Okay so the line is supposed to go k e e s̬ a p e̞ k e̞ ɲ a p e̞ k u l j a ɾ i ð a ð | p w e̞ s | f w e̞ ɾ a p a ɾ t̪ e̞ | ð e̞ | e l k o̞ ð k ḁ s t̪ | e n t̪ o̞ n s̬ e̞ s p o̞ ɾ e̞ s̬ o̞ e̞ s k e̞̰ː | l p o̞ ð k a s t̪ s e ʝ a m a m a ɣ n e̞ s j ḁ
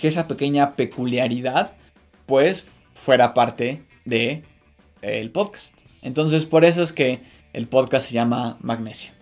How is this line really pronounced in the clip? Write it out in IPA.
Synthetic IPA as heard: k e e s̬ a p e̞ k e̞ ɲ a p e̞ k u l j a ɾ i ð a ð | p w e̞ s | f w e̞ ɾ a p a ɾ t̪ e̞ | ð e̞ | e l p o̞ ð k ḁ s t̪ | e n t̪ o̞ n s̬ e̞ s p o̞ ɾ e̞ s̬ o̞ e̞ s k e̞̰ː | l p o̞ ð k a s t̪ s e ʝ a m a m a ɣ n e̞ s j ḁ